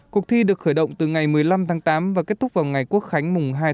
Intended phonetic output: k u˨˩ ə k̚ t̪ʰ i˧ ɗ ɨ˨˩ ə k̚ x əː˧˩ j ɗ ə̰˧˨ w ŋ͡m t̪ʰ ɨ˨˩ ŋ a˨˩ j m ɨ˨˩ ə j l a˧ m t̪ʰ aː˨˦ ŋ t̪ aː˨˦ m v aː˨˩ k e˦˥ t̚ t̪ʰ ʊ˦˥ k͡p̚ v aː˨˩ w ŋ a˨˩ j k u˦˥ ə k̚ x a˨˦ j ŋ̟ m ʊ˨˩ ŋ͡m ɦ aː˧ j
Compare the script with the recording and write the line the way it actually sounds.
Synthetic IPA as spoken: k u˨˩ ə k̚ t̪ʰ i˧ ɗ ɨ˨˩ ə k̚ x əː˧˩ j ɗ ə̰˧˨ w ŋ͡m t̪ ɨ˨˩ ŋ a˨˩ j m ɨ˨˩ ə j l a˧ m t̪ʰ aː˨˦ ŋ t̪ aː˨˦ m v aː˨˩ k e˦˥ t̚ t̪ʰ ʊ˦˥ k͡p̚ v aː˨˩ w ŋ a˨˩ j k u˦˥ ə k̚ x a˨˦ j ŋ̟ m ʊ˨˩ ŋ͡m ɦ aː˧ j